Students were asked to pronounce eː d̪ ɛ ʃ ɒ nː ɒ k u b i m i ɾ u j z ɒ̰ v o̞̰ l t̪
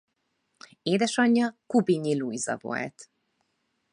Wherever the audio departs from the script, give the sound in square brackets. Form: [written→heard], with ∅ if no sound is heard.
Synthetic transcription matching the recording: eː d̪ ɛ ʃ ɒ [nː→ɲː] ɒ k u b i [m→ɲ] i [ɾ→l] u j z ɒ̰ v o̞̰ l t̪